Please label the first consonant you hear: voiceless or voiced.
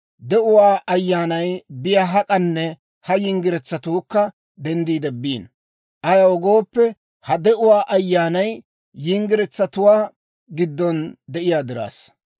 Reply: voiced